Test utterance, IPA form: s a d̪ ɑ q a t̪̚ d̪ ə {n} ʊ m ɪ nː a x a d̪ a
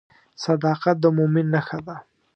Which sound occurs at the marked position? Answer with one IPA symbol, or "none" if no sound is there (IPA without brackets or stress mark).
m